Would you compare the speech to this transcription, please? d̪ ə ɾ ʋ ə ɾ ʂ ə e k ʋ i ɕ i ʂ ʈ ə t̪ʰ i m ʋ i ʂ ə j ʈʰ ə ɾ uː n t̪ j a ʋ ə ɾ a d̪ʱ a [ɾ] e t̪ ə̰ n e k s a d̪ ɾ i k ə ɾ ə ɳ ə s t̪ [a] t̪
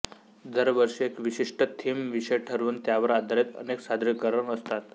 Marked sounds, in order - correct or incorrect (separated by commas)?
correct, correct